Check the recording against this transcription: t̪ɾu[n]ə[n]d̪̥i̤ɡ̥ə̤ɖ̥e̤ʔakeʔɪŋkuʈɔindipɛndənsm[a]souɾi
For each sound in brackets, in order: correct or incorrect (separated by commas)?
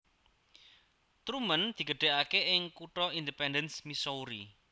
incorrect, correct, incorrect